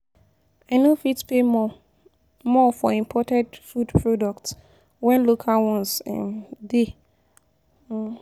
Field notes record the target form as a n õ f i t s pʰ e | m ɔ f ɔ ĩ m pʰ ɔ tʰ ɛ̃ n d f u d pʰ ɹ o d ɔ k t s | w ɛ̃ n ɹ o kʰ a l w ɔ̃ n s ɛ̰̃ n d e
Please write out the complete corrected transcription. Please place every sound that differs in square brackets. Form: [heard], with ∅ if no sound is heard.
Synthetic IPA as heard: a n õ f i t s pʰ e | m ɔ f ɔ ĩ m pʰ ɔ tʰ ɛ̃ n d f u d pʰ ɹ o d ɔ k t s | w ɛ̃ n [l] o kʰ a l w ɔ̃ n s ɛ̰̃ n d e